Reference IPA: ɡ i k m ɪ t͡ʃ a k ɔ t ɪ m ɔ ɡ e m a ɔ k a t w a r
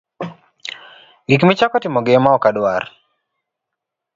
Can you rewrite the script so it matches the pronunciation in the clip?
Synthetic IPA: ɡ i k m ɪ t͡ʃ a k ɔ t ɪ m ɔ ɡ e m a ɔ k a d w a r